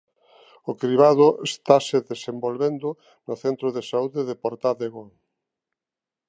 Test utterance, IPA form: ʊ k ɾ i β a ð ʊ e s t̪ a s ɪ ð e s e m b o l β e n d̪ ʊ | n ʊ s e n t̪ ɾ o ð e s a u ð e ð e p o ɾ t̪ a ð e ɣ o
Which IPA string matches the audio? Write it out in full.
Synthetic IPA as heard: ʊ k ɾ i β a ð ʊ e s t̪ a s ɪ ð e s e m b o l β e n d̪ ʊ | n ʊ θ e n t̪ ɾ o ð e s a u ð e ð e p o ɾ t̪ a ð e ɣ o

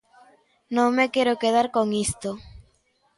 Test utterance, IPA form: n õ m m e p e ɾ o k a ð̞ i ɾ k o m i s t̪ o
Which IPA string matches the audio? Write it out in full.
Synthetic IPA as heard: n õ ŋ m e k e ɾ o k e ð̞ a ɾ k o ŋ i s t̪ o

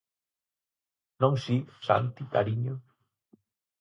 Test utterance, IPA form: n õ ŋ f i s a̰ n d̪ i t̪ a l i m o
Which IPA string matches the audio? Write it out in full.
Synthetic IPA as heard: n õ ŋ s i s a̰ n t̪ i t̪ a ɾ i ɲ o

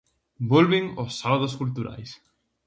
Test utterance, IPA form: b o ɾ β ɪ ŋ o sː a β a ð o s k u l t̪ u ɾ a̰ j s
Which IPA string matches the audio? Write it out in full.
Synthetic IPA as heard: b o l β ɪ ŋ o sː a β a ð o s k u l t̪ u ɾ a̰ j s

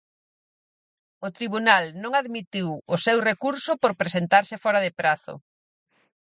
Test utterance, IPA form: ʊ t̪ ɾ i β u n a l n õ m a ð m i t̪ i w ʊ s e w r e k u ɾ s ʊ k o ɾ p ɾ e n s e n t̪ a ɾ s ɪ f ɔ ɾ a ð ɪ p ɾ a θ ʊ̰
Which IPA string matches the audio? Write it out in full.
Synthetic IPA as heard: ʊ t̪ ɾ i β u n a l n õ ŋ a ð m i t̪ i w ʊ s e w r e k u ɾ s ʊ p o ɾ p ɾ e s e n t̪ a ɾ s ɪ f ɔ ɾ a ð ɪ p ɾ a θ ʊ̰

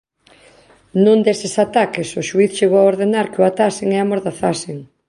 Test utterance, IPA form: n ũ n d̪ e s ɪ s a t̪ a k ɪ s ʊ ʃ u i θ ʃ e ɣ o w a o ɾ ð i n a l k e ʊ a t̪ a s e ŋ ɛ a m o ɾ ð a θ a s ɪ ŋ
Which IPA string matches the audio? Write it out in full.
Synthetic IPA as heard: n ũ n d̪ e s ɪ s a t̪ a k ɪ s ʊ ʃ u i θ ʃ e ɣ o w a o ɾ ð e n a ɾ k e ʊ a t̪ a s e ŋ ɛ a m o ɾ ð a θ a s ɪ ŋ

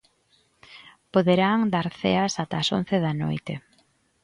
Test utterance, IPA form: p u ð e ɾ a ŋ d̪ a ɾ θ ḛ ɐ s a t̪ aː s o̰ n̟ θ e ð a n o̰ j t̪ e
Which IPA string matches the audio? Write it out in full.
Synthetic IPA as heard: p o ð e ɾ a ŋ d̪ a ɾ θ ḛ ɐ s a t̪ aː s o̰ n̟ θ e ð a n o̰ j t̪ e

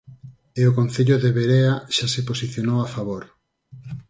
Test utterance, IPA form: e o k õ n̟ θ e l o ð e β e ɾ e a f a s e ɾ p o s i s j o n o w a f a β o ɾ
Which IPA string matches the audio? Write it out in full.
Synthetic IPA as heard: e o k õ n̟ θ e ʎ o ð e β e ɾ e a ʃ a s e p o s i θ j o n o w a f a β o ɾ

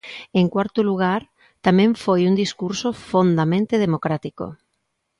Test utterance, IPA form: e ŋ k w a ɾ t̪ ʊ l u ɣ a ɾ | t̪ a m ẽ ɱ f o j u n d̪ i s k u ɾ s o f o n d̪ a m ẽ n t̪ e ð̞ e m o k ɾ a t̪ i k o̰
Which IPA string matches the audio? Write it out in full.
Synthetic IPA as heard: e ŋ k w a ɾ t̪ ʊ l u ɣ a ɾ | t̪ a m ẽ ɱ f o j u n d̪ i s k u ɾ s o f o n d̪ a m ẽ n t̪ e ð̞ e m o k ɾ a t̪ i k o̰

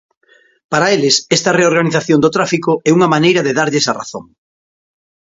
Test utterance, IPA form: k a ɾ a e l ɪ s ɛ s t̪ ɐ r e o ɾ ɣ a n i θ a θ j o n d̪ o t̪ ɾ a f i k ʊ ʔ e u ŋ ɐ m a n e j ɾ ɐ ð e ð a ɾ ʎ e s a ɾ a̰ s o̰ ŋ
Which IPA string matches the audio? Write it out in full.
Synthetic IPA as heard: p a ɾ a e l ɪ s ɛ s t̪ ɐ r e o ɾ ɣ a n i θ a θ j o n d̪ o t̪ ɾ a f i k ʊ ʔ ɛ u ŋ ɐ m a n e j ɾ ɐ ð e ð a ɾ ʎ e s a r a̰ θ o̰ ŋ

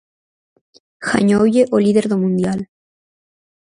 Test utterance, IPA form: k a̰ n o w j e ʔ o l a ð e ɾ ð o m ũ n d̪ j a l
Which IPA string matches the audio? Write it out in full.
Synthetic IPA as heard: x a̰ ɲ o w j e ʔ o l i ð e ɾ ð o m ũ n d̪ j a l

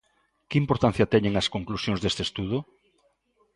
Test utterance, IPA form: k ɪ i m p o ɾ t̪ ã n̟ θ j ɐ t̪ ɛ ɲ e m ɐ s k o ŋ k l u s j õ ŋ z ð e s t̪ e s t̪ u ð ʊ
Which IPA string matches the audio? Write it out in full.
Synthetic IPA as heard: k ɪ i m p o ɾ t̪ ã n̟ θ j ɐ t̪ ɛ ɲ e ŋ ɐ s k o ŋ k l u s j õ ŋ z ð e s t̪ e s t̪ u ð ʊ

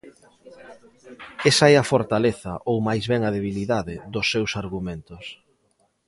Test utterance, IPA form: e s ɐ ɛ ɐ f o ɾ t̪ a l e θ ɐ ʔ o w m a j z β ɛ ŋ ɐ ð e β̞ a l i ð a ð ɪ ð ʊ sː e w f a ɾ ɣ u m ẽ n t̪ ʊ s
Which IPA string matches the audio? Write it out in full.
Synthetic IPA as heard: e s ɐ ɛ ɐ f o ɾ t̪ a l e θ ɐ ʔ o w m a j z β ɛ ŋ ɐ ð e β̞ i l i ð a ð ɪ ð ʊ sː e w s a ɾ ɣ u m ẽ n t̪ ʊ s

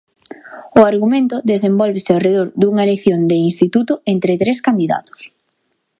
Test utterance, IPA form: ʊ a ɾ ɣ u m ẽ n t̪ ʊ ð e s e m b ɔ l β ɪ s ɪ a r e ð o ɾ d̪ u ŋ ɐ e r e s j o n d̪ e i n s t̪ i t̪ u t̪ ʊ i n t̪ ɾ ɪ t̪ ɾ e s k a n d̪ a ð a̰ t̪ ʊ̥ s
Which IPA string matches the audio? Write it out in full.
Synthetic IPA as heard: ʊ a ɾ ɣ u m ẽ n t̪ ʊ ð e s e m b ɔ l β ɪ s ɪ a r e ð o ɾ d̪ u ŋ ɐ e l e θ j o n d̪ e i n s t̪ i t̪ u t̪ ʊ e n t̪ ɾ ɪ t̪ ɾ e s k a n d̪ i ð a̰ t̪ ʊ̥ s

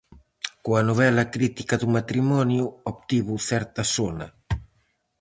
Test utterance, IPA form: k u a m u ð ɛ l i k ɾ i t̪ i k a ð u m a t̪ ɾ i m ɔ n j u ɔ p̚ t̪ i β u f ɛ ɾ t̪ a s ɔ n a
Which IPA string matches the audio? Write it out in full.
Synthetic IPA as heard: k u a n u v ɛ l a k ɾ i t̪ i k a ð u m a t̪ ɾ i m ɔ n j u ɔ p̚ t̪ i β u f ɛ ɾ t̪ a s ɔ n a

